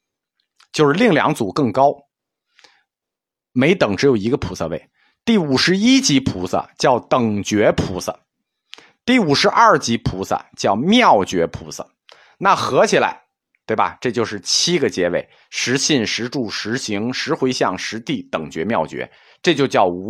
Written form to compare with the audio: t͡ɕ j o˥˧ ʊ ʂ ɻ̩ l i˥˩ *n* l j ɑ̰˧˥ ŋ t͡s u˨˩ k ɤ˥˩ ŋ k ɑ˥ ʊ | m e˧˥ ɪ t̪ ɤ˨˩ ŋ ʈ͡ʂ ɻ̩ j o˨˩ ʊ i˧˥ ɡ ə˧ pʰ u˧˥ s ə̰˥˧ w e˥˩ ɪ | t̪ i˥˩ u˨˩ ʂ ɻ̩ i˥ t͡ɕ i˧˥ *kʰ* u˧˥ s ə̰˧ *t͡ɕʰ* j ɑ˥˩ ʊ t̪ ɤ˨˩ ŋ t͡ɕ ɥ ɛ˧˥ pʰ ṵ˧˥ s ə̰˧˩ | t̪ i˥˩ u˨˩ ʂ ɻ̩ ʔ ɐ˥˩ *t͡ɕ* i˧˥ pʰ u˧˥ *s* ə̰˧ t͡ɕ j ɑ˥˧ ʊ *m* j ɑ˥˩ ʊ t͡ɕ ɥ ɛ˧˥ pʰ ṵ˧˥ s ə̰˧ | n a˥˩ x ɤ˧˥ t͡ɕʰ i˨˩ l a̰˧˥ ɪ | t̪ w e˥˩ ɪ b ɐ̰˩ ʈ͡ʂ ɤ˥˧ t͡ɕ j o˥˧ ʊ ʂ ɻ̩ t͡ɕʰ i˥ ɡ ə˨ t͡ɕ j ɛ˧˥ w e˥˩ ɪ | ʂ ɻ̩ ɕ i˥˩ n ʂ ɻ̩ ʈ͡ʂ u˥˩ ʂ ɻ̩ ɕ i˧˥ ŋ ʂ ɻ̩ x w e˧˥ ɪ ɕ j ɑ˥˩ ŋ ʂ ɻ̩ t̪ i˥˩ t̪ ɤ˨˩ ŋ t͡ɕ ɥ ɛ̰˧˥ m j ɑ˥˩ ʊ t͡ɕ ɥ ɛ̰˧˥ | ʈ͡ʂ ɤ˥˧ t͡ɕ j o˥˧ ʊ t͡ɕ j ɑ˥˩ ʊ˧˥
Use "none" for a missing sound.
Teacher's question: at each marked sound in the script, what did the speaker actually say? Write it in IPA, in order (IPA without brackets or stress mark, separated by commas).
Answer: ŋ, pʰ, t͡ɕ, t͡ɕ, s, m